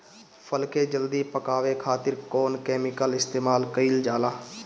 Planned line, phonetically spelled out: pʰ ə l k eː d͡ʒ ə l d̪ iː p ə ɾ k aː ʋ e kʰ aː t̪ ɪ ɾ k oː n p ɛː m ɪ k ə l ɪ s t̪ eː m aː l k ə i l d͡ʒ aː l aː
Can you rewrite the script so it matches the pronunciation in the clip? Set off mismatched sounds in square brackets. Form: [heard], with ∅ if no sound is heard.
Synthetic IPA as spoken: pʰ ə l k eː d͡ʒ ə l d̪ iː p ə [∅] k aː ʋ e kʰ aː t̪ ɪ ɾ k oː n [k] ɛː m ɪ k ə l ɪ s t̪ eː m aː l k ə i l d͡ʒ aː l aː